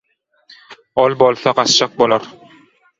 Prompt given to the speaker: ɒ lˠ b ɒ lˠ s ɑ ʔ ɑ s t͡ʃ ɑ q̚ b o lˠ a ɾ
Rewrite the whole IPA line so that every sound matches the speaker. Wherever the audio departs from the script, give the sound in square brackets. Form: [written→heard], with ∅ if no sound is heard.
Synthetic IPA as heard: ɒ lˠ b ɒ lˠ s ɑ [ʔ→q] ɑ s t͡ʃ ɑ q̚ b o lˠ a ɾ